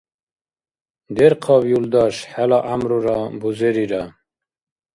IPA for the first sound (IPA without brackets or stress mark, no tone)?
d̪